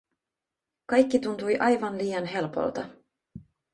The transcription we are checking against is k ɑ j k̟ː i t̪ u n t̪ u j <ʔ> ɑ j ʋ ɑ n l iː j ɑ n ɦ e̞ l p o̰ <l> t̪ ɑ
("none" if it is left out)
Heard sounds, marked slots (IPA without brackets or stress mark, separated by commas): ʔ, l